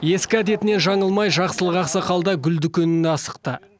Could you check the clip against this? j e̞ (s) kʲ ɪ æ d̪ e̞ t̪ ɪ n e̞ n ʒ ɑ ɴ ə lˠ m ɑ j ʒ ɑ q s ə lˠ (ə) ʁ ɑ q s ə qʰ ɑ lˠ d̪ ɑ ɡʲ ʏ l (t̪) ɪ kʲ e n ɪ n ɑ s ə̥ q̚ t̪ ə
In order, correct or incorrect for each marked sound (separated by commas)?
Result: correct, correct, incorrect